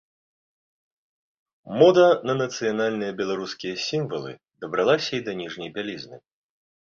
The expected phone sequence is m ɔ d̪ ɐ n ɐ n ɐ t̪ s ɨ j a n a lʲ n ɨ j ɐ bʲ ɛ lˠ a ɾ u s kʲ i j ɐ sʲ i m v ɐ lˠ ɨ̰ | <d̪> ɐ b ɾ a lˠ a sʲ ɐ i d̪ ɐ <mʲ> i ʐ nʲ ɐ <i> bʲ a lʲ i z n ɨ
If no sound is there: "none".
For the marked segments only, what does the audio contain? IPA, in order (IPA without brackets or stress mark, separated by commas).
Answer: d̪, nʲ, j